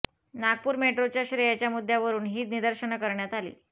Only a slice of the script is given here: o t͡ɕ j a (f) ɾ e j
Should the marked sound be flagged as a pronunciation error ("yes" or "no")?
yes